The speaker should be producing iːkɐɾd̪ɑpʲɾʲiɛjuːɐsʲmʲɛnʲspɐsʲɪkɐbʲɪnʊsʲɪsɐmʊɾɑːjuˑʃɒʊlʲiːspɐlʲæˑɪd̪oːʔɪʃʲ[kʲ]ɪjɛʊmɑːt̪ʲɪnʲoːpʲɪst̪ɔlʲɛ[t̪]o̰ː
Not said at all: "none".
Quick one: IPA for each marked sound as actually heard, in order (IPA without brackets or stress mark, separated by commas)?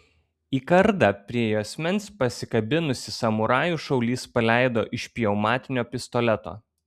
pʲ, t̪